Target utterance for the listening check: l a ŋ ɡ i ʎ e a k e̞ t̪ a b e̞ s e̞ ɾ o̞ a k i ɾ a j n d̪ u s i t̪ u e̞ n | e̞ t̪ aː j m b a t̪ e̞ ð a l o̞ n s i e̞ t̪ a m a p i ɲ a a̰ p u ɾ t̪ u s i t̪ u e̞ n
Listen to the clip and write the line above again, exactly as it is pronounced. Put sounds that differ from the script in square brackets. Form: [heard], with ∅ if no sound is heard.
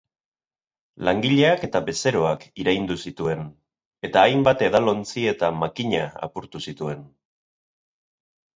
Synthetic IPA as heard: l a ŋ ɡ i ʎ e a k e̞ t̪ a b e̞ s e̞ ɾ o̞ a k i ɾ a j n d̪ u s i t̪ u e̞ n | e̞ t̪ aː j m b a t̪ e̞ ð a l o̞ n [t͡s] i e̞ t̪ a m a [k] i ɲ a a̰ p u ɾ t̪ u s i t̪ u e̞ n